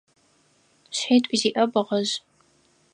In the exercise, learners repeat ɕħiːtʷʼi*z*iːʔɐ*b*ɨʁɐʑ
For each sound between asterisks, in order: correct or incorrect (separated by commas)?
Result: correct, correct